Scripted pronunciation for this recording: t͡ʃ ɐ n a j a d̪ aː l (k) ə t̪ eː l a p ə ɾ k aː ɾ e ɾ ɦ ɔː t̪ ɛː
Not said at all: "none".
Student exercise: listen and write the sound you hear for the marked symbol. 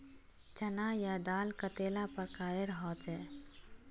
k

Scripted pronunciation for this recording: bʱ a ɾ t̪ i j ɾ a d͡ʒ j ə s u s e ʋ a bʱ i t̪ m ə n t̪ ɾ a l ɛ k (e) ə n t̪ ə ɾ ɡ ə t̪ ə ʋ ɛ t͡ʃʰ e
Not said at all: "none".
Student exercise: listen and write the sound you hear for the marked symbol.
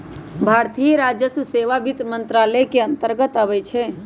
e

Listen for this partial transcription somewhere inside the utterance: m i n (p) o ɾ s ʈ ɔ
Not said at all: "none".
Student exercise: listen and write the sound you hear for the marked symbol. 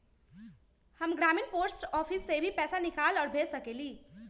p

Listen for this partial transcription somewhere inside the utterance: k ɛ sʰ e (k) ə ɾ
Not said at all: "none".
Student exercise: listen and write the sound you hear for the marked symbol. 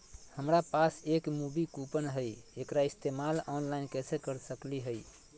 k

